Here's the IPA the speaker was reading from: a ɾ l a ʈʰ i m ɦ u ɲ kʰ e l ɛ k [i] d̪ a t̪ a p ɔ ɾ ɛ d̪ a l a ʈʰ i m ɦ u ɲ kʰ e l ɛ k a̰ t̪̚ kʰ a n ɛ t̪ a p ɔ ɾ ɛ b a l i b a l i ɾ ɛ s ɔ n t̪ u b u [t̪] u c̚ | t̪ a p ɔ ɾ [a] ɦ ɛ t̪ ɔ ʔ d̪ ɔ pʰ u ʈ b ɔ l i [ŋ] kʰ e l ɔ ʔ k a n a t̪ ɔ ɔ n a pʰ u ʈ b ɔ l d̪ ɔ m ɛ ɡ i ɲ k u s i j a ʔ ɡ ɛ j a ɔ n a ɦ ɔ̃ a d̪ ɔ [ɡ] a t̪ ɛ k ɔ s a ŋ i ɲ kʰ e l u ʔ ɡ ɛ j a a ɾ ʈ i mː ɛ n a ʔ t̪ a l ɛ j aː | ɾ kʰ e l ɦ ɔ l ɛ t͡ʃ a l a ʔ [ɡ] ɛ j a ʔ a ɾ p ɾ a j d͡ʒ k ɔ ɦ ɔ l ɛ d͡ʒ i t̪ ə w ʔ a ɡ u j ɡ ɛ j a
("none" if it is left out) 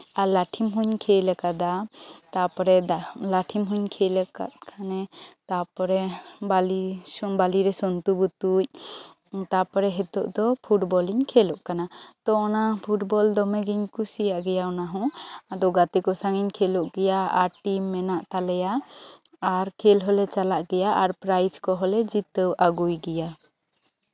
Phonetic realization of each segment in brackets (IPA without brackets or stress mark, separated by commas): a, t̪, ɛ, ɲ, ɡ, ɡ